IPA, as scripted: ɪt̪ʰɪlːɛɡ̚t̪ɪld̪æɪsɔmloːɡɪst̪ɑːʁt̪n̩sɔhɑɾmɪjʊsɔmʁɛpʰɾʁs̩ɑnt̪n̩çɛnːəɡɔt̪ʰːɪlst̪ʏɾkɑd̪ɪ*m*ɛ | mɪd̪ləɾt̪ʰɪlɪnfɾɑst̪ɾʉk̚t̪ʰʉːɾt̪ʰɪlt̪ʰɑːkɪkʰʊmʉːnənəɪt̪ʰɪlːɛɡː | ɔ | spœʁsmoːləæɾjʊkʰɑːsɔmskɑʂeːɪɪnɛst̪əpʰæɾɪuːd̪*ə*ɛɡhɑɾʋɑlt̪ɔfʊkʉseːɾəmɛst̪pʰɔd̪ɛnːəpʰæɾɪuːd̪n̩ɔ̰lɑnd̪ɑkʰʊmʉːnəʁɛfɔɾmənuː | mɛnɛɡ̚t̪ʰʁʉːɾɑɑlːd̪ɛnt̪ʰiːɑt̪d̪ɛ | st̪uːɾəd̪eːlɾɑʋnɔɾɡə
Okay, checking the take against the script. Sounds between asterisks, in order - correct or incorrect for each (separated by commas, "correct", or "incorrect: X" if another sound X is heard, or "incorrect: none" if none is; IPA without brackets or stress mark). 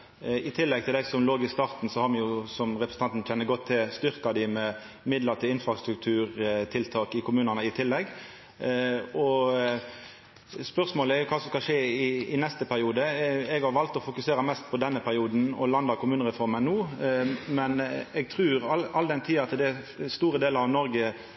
correct, correct